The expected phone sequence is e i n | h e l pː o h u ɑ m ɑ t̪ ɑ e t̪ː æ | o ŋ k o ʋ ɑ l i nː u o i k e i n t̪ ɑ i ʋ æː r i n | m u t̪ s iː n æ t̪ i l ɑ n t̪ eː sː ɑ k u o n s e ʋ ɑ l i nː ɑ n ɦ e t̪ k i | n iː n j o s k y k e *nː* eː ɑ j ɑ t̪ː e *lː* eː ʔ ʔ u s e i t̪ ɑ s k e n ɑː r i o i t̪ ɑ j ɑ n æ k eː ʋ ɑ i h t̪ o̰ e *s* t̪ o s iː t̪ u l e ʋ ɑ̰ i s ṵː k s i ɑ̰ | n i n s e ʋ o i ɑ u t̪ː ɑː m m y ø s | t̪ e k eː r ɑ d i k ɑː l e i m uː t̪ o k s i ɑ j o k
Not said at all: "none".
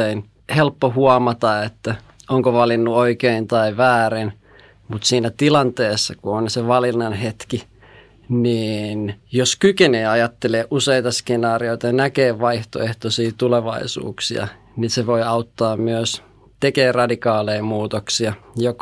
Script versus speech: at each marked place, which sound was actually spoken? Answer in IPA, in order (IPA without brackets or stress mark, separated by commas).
n, l, h